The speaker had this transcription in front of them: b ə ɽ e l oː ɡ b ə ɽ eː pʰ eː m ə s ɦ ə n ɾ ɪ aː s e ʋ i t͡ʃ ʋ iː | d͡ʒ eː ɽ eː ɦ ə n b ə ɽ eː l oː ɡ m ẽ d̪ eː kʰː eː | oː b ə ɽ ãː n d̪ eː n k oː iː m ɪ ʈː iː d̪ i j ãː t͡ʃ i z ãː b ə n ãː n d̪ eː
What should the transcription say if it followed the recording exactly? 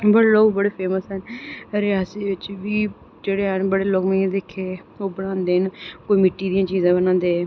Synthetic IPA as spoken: b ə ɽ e l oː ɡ b ə ɽ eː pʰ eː m ə s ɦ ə n ɾ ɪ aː s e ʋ ɪ t͡ʃ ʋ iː | d͡ʒ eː ɽ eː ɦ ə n b ə ɽ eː l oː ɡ m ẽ d̪ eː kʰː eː | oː b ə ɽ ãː n d̪ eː n k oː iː m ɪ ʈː iː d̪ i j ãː t͡ʃ iː z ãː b ə n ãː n d̪ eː